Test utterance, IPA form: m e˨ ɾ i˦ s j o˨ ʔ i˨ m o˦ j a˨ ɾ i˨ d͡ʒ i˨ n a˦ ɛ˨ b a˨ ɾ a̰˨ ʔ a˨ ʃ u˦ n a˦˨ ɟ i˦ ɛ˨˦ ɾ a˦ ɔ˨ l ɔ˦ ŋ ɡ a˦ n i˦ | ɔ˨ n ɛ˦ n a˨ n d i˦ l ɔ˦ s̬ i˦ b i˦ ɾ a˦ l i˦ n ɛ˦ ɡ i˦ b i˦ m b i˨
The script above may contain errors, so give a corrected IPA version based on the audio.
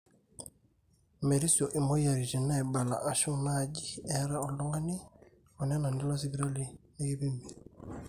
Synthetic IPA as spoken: m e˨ ɾ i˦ s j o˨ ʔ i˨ m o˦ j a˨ ɾ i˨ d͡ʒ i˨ n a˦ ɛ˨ b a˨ l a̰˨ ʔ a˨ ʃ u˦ n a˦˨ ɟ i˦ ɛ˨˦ ɾ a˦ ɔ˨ l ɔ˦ ŋ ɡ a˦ n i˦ | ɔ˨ n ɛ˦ n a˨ n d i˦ l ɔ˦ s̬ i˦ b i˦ ɾ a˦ l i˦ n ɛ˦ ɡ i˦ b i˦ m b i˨